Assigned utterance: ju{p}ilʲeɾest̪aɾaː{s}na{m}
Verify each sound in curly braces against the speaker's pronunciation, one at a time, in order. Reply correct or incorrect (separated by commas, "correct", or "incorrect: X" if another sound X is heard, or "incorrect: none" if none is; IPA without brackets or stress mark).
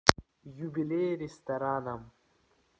incorrect: b, incorrect: none, correct